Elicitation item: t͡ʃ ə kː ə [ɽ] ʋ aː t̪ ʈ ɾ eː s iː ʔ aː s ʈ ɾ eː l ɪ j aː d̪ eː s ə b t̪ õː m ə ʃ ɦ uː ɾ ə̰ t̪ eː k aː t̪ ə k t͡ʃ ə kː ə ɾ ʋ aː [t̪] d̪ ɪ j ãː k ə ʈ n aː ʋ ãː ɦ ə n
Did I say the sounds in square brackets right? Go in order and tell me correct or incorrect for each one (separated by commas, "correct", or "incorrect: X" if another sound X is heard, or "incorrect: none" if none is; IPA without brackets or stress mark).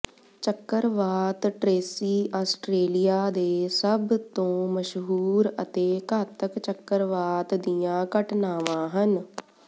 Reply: incorrect: ɾ, correct